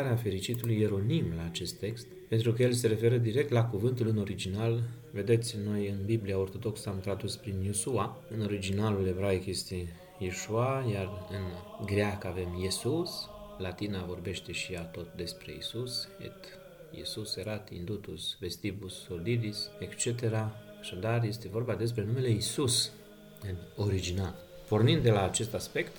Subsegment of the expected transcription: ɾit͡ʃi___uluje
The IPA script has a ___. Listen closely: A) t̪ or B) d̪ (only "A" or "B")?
A